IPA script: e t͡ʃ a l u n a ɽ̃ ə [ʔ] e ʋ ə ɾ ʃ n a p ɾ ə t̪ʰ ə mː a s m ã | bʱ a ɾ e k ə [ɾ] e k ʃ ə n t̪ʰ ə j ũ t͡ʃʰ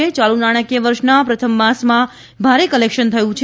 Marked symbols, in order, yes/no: no, no

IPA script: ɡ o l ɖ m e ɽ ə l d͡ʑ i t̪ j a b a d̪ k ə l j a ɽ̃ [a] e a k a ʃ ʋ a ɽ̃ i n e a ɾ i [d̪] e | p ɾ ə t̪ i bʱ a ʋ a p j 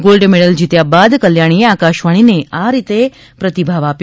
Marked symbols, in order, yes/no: no, no

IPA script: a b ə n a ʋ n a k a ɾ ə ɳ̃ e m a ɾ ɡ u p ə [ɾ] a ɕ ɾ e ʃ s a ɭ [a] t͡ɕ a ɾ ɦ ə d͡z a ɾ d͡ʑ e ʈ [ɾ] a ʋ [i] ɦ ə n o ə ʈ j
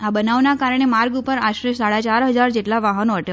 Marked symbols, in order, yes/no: yes, yes, no, no

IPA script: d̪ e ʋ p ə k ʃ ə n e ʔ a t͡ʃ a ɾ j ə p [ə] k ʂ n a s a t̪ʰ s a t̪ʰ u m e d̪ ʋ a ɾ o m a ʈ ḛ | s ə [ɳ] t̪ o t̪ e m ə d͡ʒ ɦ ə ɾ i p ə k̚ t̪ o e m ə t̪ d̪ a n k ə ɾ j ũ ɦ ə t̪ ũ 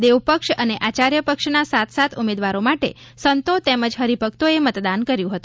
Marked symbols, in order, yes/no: yes, no

